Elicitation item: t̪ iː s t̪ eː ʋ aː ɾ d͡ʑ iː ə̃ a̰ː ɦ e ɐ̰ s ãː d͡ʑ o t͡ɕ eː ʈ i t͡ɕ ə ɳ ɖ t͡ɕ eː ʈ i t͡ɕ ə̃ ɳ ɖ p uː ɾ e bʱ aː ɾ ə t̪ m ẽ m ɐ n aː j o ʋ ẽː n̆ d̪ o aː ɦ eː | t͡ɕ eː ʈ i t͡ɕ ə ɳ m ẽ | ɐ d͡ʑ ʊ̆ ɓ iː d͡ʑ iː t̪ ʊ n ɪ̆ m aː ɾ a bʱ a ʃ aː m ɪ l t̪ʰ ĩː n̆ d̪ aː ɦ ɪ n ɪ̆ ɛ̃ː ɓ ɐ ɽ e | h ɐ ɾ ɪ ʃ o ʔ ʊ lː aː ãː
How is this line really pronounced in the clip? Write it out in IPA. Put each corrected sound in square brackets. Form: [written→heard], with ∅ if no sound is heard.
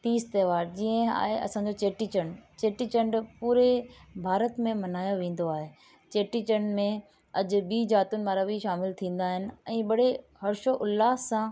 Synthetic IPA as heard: t̪ iː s t̪ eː ʋ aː ɾ d͡ʑ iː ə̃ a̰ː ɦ e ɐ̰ s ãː d͡ʑ o t͡ɕ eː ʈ i t͡ɕ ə ɳ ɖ t͡ɕ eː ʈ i t͡ɕ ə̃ ɳ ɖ p uː ɾ e bʱ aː ɾ ə t̪ m ẽ m ɐ n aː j o ʋ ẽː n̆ d̪ o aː ɦ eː | t͡ɕ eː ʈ i t͡ɕ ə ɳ m ẽ | ɐ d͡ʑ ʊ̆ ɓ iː d͡ʑ [iː→aː] t̪ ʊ n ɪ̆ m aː ɾ a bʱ [a→i] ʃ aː m ɪ l t̪ʰ ĩː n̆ d̪ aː ɦ ɪ n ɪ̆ ɛ̃ː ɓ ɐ ɽ e | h ɐ ɾ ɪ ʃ o ʔ ʊ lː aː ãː